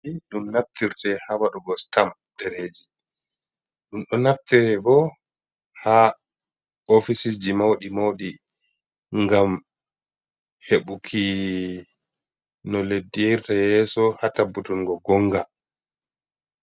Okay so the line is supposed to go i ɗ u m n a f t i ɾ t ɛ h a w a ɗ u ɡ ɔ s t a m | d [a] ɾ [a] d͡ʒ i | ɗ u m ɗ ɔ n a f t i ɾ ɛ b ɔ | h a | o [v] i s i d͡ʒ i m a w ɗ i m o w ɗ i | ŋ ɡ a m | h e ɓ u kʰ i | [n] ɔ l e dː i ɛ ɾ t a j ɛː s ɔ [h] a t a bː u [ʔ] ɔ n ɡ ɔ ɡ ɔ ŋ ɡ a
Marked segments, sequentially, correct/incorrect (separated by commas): incorrect, incorrect, incorrect, correct, correct, incorrect